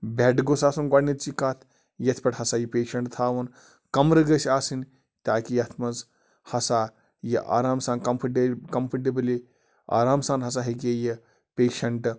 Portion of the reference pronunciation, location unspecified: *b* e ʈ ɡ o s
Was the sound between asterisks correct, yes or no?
yes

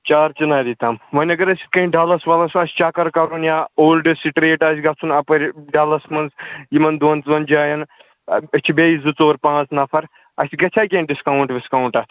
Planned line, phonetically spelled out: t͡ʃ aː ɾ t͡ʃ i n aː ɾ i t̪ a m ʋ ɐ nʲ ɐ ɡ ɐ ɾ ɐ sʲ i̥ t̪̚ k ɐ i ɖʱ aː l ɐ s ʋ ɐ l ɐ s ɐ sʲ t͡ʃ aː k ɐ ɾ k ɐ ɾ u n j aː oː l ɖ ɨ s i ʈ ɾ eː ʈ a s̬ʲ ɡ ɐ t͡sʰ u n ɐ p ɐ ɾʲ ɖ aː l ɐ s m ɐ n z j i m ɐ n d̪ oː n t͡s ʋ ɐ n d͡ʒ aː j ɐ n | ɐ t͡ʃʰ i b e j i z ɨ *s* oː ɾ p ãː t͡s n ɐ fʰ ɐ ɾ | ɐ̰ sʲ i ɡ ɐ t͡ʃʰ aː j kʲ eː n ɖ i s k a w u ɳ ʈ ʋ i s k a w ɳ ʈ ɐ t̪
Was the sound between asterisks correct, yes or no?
no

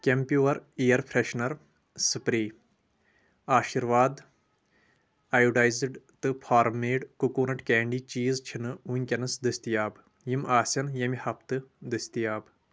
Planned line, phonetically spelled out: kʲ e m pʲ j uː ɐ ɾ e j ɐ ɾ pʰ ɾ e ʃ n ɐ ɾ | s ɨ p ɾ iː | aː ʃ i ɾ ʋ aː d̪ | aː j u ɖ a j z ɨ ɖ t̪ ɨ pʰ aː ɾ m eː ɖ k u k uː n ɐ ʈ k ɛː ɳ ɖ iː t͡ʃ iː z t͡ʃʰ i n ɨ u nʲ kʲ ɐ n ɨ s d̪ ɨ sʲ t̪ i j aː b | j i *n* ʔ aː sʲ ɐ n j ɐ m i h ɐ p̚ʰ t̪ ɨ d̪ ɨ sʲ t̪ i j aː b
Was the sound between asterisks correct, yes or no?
no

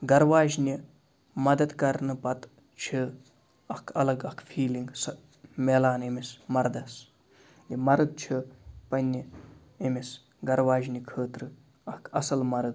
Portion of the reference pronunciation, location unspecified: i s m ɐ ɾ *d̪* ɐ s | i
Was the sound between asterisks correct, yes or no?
yes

